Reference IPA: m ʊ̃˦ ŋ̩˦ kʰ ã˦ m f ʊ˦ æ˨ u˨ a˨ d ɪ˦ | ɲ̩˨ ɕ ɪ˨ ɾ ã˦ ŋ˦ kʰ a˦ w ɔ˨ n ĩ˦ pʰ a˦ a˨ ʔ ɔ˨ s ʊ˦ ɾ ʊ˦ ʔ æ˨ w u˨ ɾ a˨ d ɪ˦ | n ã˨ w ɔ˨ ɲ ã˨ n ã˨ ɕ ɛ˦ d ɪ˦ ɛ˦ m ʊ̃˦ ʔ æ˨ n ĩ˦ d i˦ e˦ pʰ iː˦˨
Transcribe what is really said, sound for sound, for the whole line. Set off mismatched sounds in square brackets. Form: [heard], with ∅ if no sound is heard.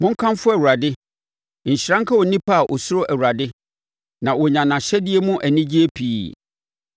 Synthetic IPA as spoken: m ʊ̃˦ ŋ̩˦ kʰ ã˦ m f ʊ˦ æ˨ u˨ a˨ d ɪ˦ | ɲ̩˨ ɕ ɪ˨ ɾ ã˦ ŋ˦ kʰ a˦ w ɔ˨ n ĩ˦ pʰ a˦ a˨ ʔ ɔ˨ s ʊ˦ ɾ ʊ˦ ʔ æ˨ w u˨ ɾ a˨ d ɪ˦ | n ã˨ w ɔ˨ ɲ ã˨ n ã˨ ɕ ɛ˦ d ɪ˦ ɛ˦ m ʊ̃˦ ʔ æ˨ n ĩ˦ [d͡ʑ] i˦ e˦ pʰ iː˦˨